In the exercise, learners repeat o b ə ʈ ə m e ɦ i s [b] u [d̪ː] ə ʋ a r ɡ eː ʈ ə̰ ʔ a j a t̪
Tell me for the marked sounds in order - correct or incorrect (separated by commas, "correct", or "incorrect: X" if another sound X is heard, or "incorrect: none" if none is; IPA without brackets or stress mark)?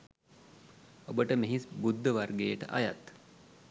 correct, correct